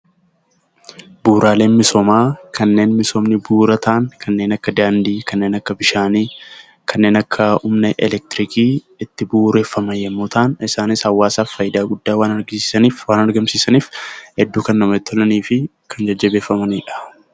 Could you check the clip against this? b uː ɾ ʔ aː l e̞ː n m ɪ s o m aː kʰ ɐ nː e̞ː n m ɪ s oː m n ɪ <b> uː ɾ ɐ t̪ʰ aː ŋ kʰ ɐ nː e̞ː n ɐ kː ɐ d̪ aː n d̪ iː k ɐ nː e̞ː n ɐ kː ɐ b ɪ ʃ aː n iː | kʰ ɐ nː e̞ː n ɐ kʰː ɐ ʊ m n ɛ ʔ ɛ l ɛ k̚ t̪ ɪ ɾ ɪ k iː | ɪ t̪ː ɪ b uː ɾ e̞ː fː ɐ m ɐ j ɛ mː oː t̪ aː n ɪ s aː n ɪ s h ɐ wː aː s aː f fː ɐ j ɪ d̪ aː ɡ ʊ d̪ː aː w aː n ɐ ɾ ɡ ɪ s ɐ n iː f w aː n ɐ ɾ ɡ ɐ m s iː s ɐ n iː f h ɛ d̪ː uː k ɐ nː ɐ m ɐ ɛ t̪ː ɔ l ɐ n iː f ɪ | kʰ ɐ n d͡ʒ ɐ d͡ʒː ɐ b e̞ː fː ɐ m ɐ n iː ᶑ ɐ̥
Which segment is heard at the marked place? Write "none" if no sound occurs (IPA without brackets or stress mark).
b